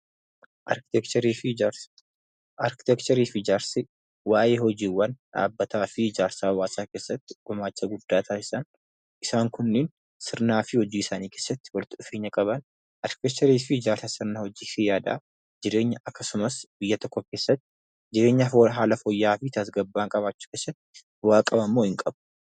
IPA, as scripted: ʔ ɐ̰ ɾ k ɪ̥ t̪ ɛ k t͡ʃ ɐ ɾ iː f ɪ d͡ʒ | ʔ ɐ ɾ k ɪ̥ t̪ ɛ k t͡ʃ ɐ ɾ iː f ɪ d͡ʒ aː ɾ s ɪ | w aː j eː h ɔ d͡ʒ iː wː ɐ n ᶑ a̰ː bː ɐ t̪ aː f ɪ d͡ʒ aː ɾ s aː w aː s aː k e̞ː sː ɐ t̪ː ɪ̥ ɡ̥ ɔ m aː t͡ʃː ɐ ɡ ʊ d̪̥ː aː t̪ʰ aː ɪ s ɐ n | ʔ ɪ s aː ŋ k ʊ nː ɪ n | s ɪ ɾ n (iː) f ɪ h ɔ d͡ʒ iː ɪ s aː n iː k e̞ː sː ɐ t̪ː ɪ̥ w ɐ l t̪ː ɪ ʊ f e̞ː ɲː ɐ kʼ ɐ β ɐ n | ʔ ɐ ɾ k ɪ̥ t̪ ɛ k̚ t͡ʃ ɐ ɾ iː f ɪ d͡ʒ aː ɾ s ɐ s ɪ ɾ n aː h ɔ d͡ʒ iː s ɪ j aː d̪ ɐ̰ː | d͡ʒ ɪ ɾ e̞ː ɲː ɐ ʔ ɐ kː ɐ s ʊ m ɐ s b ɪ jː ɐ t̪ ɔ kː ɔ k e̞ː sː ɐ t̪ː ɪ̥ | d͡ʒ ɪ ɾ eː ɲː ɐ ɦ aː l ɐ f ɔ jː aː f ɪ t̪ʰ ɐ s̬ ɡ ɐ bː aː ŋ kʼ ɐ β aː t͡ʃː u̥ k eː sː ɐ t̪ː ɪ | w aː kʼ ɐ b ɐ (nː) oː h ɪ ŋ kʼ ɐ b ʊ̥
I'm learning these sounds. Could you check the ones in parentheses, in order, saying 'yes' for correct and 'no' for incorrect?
no, no

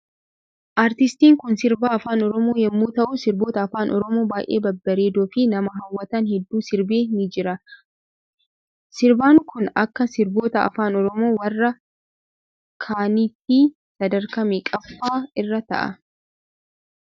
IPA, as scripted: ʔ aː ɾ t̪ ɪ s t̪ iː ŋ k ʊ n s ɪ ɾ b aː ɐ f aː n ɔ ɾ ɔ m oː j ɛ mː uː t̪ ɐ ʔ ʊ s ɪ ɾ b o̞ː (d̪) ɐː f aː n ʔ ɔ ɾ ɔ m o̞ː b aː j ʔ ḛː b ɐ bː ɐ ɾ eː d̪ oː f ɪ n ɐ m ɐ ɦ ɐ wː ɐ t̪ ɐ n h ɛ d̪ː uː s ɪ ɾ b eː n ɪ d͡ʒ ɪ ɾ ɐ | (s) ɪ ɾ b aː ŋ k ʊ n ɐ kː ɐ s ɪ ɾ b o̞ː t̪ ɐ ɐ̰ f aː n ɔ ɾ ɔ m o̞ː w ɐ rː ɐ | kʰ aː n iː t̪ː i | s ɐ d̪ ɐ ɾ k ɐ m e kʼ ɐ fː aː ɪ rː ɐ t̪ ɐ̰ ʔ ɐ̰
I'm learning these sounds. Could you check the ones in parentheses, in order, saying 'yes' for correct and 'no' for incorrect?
no, yes

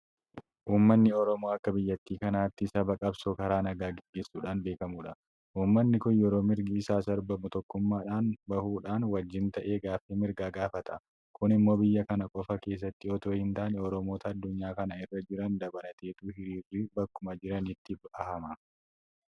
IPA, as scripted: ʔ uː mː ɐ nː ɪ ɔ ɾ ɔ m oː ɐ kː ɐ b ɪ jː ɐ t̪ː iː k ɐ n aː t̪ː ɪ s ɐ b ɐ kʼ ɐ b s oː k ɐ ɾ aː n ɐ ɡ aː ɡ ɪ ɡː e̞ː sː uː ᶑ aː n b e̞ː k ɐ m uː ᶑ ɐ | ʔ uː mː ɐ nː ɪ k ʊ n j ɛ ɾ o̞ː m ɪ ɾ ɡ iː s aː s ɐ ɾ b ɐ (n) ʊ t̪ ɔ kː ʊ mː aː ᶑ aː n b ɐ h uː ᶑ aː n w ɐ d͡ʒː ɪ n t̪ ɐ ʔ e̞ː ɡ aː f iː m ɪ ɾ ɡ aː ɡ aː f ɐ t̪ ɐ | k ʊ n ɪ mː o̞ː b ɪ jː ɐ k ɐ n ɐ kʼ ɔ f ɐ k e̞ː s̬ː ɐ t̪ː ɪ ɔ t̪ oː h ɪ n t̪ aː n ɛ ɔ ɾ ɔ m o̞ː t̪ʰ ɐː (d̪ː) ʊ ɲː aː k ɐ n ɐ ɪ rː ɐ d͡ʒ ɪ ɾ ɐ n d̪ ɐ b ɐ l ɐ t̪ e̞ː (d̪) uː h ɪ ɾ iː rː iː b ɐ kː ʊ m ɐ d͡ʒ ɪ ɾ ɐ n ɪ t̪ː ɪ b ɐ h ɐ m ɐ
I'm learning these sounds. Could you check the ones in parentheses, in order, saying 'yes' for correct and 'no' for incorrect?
no, yes, no

